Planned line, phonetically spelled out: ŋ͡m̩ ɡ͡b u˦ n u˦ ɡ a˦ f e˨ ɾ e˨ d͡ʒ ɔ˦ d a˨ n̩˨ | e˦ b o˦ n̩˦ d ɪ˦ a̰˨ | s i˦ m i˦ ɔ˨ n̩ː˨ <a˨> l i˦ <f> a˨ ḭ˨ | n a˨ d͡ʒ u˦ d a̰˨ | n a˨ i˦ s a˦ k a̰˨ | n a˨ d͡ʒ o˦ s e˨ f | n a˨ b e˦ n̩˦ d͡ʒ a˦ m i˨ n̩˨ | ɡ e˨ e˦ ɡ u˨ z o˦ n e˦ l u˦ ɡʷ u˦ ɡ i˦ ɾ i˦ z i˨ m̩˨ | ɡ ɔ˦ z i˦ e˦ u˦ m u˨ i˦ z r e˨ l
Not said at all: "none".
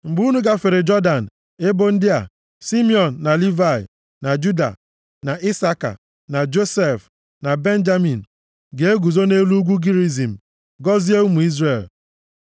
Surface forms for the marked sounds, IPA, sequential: a˨, v

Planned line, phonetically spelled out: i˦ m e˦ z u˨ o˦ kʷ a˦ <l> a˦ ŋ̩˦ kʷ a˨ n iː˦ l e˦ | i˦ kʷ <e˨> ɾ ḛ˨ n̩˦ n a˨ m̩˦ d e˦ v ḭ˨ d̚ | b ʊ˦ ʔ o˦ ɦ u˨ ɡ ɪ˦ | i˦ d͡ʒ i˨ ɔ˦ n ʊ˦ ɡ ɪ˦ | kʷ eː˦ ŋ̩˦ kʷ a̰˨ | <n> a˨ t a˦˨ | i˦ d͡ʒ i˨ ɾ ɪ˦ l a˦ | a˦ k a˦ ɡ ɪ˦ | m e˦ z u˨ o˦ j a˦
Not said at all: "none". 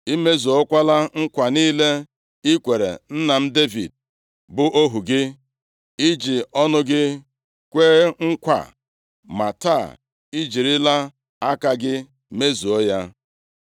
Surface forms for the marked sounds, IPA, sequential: l, e˨, m

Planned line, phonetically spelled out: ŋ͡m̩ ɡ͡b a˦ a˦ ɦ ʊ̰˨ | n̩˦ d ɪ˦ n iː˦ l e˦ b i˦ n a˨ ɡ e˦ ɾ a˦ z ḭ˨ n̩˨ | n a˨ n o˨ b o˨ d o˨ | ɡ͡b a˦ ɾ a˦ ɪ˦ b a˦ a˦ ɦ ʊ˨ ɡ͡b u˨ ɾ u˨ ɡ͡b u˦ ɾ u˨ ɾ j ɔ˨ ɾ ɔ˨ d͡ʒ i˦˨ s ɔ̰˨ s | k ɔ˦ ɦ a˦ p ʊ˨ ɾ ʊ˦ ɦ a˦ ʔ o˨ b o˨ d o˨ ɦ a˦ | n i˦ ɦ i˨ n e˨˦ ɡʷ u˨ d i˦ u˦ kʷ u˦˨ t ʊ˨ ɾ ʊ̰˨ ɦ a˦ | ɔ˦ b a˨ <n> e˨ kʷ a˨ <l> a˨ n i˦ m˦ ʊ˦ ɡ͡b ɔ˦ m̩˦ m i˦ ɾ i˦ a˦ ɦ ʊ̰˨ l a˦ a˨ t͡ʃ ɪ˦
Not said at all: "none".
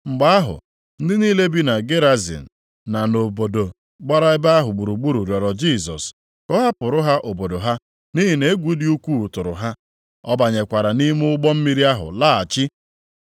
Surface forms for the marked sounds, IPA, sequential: ɲ, ɾ

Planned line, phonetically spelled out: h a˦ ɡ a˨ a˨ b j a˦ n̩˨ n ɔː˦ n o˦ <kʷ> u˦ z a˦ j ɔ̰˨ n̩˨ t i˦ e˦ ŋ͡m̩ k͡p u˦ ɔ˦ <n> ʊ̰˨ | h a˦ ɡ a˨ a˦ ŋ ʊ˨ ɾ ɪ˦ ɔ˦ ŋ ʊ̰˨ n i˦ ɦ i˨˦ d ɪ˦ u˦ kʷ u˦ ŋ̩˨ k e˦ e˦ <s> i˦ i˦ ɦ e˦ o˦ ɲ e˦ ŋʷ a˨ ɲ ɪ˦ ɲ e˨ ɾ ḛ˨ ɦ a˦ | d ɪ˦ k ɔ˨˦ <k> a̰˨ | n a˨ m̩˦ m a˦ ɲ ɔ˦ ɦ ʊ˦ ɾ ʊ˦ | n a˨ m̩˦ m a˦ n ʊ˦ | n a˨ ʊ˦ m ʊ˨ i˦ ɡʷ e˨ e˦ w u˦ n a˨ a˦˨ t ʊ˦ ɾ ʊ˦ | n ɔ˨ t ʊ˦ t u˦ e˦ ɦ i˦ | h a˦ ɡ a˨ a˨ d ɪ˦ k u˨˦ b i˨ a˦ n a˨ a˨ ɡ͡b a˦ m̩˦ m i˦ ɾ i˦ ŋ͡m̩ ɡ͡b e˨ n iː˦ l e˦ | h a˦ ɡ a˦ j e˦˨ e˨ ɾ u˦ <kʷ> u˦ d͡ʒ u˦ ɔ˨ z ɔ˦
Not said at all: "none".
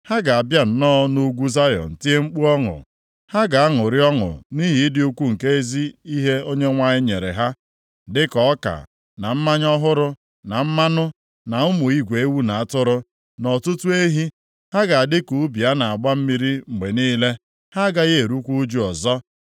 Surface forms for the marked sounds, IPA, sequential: ɡʷ, ŋ, z, k, kʷ

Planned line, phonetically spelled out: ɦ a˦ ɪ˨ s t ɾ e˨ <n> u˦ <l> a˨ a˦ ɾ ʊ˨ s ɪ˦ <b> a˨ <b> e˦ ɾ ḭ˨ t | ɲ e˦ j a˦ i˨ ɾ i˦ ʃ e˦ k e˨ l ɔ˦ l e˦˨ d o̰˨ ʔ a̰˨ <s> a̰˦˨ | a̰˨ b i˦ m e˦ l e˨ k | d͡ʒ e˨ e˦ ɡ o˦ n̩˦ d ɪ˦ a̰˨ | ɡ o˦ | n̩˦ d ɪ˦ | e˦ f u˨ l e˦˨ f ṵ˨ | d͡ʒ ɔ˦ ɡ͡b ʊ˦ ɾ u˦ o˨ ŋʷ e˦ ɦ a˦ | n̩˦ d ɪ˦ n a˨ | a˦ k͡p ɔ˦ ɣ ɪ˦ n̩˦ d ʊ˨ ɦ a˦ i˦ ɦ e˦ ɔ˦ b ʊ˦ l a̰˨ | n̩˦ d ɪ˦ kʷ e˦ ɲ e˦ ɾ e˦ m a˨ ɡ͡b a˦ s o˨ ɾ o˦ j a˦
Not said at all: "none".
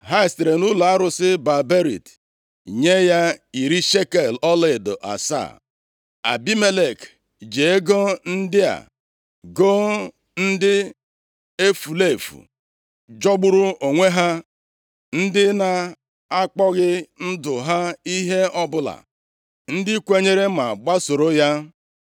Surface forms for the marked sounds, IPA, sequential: n, l, b, b, s

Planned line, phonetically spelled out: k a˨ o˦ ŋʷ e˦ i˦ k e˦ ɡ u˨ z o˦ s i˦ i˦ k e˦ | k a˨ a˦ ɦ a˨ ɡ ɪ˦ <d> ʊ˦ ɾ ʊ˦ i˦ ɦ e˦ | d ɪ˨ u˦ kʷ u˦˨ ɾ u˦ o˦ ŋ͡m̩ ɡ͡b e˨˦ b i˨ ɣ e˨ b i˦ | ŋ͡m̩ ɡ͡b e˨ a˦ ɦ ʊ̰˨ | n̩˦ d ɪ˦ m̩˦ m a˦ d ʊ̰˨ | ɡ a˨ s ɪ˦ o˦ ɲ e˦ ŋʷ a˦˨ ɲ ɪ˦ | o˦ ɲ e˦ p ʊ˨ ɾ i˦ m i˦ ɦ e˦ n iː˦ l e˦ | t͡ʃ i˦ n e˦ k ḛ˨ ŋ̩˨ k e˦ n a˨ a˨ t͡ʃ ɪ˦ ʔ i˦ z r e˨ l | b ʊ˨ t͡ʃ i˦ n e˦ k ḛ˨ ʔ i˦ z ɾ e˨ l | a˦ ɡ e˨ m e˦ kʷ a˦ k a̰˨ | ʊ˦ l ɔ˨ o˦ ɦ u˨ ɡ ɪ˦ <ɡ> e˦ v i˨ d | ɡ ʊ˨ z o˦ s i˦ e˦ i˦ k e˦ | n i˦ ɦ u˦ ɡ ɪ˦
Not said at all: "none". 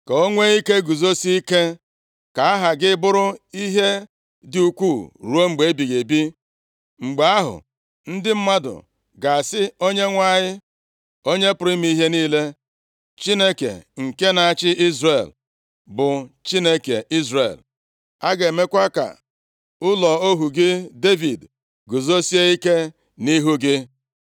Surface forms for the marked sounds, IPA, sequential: b, d

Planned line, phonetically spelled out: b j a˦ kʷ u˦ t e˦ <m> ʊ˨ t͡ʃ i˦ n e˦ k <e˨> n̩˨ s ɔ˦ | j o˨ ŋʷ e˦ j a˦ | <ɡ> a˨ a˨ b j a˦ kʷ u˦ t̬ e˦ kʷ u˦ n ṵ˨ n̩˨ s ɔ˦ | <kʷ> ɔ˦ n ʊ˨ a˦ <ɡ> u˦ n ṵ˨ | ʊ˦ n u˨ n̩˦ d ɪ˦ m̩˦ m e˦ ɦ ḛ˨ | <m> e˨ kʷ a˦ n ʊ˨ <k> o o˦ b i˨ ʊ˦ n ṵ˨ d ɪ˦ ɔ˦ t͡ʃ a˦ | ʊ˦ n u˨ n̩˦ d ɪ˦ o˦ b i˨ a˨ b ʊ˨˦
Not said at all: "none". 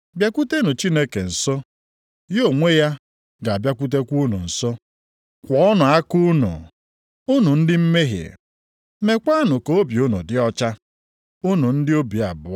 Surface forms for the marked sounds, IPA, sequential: n, e˨, ɡ, kʷ, k, m, k

